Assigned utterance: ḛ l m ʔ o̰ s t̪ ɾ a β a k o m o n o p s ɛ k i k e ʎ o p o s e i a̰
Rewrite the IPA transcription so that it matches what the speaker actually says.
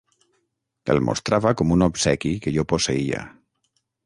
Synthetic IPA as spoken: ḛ l m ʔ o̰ s t̪ ɾ a β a k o m u n o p s ɛ k i k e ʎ o p o s e i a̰